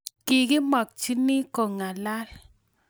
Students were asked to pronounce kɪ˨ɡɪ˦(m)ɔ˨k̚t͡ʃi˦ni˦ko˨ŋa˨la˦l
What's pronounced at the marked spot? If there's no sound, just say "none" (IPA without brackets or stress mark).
m